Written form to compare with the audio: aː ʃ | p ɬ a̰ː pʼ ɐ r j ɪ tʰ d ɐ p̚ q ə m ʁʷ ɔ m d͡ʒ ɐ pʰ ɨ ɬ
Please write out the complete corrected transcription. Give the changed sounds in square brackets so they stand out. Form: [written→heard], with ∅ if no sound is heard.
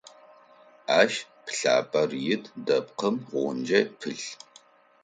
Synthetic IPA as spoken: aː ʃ | p ɬ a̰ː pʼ ɐ r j ɪ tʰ d ɐ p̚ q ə m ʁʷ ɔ [m→n] d͡ʒ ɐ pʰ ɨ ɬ